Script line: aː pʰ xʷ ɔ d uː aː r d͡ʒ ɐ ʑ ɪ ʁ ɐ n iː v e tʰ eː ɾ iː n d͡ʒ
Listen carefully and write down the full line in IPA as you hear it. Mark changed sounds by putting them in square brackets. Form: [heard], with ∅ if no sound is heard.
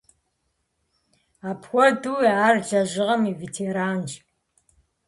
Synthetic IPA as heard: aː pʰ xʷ ɔ d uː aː r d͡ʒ ɐ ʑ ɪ ʁ ɐ [m] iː v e tʰ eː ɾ [aː] n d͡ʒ